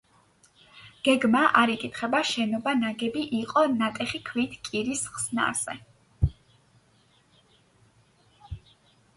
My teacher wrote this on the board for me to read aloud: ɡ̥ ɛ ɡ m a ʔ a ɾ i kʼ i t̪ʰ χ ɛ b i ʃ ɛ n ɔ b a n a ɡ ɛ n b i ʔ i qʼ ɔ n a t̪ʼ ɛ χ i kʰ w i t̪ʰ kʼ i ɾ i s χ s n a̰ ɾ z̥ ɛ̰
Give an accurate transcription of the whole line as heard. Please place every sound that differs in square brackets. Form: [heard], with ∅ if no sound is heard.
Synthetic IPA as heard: ɡ̥ ɛ ɡ m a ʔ a ɾ i kʼ i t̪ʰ χ ɛ b [a] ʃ ɛ n ɔ b a n a ɡ ɛ [∅] b i ʔ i qʼ ɔ n a t̪ʼ ɛ χ i kʰ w i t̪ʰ kʼ i ɾ i s χ s n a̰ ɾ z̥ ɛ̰